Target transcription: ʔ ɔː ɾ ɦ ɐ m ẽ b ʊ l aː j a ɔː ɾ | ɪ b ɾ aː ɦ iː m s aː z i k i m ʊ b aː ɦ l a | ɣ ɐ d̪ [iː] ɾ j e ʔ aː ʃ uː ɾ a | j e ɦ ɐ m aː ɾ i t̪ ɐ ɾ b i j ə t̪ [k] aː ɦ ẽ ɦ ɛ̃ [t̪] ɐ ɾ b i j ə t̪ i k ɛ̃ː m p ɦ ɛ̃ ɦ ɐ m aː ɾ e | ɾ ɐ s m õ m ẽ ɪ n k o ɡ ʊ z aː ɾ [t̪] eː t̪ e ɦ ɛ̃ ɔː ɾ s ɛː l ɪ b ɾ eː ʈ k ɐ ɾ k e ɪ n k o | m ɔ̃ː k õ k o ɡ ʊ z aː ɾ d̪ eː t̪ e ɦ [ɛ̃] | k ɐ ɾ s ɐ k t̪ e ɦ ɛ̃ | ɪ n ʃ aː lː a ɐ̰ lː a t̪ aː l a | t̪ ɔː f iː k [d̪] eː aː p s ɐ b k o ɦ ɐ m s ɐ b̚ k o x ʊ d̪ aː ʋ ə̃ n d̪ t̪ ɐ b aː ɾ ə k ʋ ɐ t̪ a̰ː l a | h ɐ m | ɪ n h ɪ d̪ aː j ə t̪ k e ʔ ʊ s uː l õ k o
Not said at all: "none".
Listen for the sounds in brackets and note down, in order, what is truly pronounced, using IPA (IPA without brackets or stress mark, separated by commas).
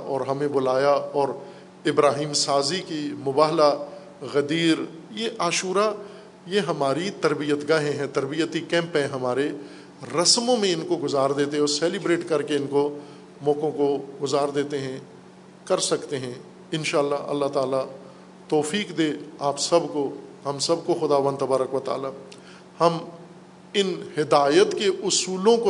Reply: iː, ɡ, t̪, d̪, ɛ̃, d̪